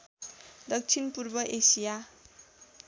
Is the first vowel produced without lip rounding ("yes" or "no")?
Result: yes